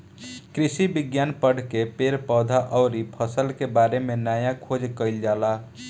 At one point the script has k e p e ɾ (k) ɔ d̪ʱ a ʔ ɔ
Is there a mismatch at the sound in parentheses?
yes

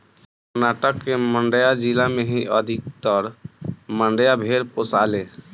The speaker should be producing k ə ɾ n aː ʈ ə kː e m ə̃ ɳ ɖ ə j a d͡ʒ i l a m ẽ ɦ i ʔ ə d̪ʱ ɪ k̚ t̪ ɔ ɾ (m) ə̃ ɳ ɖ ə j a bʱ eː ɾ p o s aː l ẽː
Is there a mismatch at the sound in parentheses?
no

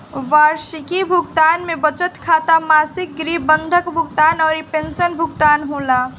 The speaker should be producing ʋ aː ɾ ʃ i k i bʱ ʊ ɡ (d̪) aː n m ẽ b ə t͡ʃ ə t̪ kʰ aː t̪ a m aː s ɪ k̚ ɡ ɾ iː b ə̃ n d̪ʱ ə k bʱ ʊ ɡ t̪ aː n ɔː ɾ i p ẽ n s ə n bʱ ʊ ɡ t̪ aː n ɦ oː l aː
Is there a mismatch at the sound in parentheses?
yes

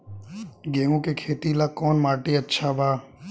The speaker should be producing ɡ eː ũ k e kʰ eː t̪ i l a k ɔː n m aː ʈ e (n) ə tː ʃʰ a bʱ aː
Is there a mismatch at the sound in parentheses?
yes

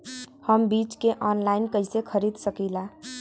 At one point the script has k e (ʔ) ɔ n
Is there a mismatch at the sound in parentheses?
no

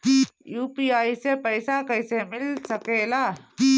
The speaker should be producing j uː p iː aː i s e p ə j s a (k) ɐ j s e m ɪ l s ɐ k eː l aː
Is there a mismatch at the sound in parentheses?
no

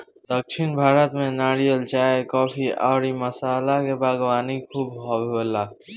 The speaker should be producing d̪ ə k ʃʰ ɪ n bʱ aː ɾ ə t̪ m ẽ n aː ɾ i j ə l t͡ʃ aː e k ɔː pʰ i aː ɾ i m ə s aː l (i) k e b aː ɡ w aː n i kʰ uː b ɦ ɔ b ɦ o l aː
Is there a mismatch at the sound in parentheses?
yes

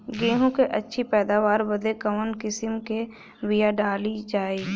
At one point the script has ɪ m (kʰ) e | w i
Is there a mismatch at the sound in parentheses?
yes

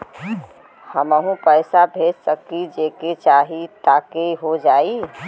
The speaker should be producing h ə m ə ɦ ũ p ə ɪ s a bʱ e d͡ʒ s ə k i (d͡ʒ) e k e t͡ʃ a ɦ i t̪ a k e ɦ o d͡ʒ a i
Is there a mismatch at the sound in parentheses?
no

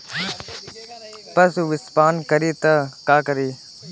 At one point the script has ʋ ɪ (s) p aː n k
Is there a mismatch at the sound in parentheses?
no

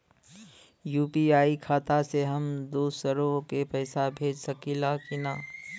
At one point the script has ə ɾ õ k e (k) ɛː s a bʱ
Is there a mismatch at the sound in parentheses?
yes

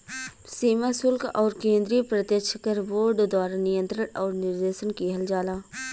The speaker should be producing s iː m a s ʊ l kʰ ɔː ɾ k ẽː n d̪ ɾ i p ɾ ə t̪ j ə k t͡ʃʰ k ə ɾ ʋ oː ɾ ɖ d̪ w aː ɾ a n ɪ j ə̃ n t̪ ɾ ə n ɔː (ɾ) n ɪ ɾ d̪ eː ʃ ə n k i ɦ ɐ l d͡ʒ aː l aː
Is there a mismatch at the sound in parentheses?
no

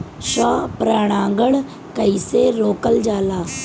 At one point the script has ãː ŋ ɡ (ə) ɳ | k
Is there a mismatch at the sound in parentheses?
no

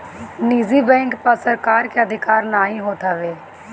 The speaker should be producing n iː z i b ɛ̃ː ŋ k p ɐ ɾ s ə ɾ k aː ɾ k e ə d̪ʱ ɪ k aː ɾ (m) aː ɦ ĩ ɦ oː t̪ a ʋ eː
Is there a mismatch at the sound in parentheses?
yes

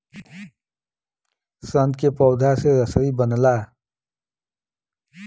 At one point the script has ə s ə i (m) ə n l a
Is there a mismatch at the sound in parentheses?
yes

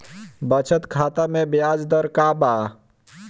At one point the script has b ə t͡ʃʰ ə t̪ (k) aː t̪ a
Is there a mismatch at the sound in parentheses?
yes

